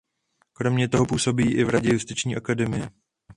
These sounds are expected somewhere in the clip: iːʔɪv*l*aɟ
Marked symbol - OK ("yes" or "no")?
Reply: no